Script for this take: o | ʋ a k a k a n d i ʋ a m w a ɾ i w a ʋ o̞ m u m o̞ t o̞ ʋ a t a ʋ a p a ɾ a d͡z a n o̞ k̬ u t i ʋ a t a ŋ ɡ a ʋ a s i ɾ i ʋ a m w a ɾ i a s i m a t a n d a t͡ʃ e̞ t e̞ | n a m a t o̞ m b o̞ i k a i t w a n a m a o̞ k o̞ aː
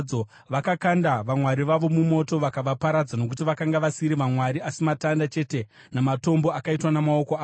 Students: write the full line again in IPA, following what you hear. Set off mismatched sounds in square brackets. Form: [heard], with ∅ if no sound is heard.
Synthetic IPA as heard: o | ʋ a k a k a n d [a] ʋ a m w a ɾ i [ʋ] a ʋ o̞ m u m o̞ t o̞ ʋ a [k] a ʋ a p a ɾ a d͡z a n o̞ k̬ u t i ʋ a [k] a ŋ ɡ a ʋ a s i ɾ i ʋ a m w a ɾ i a s i m a t a n d a t͡ʃ e̞ t e̞ | n a m a t o̞ m b o̞ [a] k a i t w a n a m a o̞ k o̞ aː